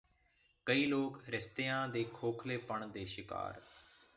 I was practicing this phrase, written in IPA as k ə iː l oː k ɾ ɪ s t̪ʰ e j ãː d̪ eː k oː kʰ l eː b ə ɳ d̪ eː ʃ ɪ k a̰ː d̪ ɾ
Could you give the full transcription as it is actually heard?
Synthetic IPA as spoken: k ə iː l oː k ɾ ɪ s t̪ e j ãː d̪ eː kʰ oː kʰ l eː p ə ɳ d̪ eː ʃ ɪ k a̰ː ɾ